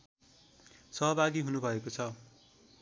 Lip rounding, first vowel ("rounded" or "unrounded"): unrounded